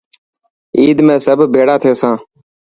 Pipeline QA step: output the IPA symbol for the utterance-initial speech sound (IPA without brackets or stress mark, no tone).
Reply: iː